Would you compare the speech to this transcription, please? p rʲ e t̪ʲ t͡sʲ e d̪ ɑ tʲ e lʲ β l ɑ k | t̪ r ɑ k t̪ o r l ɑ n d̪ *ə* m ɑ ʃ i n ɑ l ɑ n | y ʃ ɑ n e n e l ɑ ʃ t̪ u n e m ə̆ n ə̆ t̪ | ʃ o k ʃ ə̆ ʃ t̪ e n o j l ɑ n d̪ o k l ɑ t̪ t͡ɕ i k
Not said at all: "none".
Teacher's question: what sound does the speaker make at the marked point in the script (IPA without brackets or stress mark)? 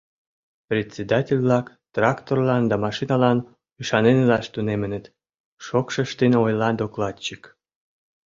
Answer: ɑ